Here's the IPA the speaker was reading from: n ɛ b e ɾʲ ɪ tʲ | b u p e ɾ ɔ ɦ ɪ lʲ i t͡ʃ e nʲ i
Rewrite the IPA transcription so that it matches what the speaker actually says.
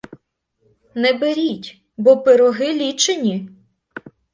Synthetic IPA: n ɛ b e ɾʲ i tʲ | b ɔ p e ɾ ɔ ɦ ɪ lʲ i t͡ʃ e nʲ i